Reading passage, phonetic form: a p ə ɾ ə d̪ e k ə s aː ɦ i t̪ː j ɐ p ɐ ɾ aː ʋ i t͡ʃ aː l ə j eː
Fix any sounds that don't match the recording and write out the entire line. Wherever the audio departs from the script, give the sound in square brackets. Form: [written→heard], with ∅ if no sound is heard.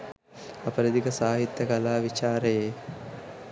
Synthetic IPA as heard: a p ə ɾ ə d̪ [e→i] k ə s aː ɦ i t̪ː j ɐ [p→k] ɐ [ɾ→l] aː ʋ i t͡ʃ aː [l→ɾ] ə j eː